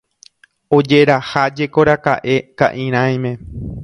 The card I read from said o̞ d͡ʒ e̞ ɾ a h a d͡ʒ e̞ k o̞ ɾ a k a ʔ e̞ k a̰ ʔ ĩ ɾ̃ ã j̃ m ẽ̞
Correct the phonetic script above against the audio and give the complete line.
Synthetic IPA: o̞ d͡ʒ e̞ ɾ a h a d͡ʒ e̞ k o̞ ɾ a k a ʔ e̞ k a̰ ʔ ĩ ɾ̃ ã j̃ m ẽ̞